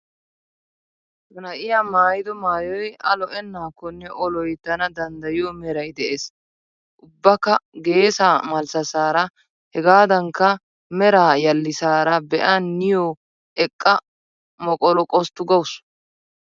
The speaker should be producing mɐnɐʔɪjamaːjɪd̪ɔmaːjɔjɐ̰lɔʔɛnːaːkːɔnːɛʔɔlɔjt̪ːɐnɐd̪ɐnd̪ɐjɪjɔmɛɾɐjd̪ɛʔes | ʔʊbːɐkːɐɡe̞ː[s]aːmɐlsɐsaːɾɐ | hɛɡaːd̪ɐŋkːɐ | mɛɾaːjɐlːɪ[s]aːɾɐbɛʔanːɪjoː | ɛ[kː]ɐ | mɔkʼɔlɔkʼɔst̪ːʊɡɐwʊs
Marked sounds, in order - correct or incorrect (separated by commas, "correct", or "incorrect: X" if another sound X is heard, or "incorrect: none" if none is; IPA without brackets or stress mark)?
correct, correct, incorrect: kʼː